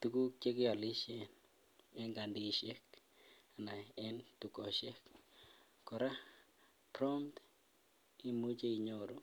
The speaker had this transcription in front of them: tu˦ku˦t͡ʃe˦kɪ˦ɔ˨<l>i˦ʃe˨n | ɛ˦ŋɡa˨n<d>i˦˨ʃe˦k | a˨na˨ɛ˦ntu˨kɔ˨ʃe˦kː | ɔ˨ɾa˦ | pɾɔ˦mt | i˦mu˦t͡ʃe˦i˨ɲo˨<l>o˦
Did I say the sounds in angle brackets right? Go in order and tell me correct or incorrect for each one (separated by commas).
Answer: correct, correct, incorrect